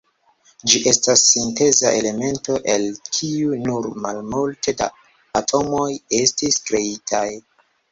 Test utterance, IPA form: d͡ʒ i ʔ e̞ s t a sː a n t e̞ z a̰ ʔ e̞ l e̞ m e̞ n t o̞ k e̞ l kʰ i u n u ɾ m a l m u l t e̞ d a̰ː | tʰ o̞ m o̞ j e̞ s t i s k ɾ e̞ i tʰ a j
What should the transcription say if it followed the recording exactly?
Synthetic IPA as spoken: d͡ʒ i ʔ e̞ s t a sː i n t e̞ z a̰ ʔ e̞ l e̞ m e̞ n t o̞ ʔ e̞ l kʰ i u n u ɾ m a l m u l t e̞ d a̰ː | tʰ o̞ m o̞ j e̞ s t i s k ɾ e̞ i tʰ a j